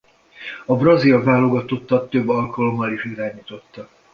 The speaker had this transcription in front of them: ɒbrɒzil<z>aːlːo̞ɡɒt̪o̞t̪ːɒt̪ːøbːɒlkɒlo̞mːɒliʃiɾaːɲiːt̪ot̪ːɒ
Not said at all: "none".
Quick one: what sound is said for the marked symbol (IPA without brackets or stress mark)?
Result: v